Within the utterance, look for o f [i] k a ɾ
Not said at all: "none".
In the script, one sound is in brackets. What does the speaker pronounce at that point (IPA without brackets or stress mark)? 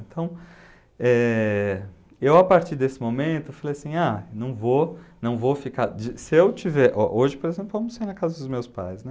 i